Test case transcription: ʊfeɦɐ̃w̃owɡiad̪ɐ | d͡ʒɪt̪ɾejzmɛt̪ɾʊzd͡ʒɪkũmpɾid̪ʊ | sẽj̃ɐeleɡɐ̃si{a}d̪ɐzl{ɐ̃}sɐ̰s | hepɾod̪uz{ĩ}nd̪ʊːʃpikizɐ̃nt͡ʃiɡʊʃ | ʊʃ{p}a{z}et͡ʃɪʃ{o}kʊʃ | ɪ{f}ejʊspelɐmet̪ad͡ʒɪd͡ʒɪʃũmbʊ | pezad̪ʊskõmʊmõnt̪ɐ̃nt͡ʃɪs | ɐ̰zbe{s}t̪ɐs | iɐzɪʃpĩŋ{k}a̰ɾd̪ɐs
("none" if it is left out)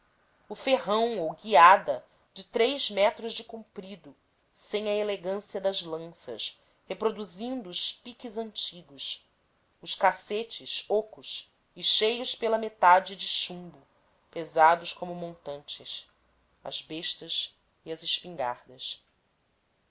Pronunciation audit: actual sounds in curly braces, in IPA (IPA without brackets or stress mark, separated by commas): ɐ, ɐ̃, ĩ, k, s, o, ʃ, ʃ, ɡ